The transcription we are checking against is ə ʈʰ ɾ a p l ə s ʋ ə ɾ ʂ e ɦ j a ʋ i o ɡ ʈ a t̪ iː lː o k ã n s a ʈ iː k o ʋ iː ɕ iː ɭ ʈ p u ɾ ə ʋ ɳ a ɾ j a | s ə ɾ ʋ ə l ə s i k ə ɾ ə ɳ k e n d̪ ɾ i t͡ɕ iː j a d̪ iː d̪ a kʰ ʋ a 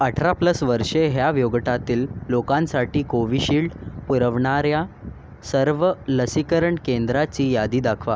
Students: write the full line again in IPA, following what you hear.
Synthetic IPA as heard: ə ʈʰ ɾ a p l ə s ʋ ə ɾ ʂ e ɦ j a ʋ j o ɡ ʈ a t̪ iː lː o k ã n s a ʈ iː k o ʋ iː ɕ iː ɭ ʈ p u ɾ ə ʋ ɳ a ɾ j a | s ə ɾ ʋ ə l ə s i k ə ɾ ə ɳ k e n d̪ ɾ a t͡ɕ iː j a d̪ iː d̪ a kʰ ʋ a